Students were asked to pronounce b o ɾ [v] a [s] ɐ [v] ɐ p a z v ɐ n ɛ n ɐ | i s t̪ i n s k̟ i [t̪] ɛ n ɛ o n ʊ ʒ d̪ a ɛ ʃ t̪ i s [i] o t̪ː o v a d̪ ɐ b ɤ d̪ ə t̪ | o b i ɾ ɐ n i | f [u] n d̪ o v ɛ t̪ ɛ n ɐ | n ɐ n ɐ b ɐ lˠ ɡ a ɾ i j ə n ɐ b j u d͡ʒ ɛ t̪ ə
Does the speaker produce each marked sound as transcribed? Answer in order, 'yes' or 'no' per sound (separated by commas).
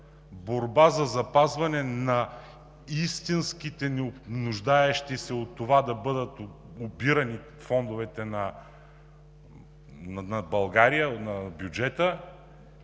no, no, no, yes, no, no